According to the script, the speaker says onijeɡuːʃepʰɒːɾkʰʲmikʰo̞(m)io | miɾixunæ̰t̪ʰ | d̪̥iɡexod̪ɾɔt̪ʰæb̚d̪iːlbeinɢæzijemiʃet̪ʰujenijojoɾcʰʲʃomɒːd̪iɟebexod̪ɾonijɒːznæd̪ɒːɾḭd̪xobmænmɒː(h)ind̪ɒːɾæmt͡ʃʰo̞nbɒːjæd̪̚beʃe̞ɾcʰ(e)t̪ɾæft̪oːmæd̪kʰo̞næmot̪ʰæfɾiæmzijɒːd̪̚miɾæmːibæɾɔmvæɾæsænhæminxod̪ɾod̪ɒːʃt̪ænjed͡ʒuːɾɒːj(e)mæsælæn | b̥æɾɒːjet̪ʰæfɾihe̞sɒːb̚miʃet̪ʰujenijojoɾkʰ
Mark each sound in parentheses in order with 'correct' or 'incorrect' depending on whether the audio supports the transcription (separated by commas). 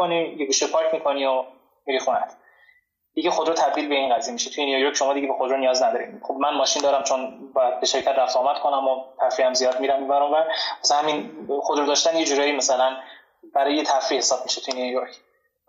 incorrect, incorrect, incorrect, incorrect